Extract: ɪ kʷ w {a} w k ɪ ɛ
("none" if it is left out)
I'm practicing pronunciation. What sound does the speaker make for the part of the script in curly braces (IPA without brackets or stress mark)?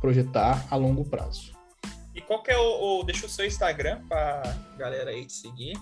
a